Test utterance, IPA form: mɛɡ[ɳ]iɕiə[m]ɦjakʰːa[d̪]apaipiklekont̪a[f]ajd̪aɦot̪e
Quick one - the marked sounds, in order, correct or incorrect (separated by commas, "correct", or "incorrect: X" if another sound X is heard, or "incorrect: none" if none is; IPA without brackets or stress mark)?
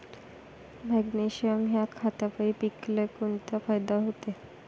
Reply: incorrect: n, correct, incorrect: t̪, correct